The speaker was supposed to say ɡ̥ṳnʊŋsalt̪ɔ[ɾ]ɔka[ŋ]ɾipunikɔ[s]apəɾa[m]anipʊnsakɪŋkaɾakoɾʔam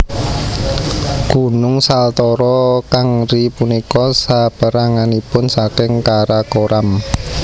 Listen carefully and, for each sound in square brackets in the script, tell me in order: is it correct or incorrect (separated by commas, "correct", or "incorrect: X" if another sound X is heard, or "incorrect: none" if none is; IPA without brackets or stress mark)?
correct, correct, correct, incorrect: ŋ